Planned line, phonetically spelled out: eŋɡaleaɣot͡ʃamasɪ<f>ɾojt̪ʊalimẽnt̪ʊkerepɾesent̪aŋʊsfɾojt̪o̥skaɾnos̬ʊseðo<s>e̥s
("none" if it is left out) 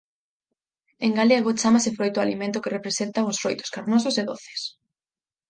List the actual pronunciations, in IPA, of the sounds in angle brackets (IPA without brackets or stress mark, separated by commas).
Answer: f, θ